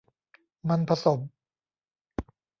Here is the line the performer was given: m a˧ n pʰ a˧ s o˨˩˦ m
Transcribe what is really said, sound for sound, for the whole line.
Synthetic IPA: m a˧ n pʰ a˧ s o˨˩˦ m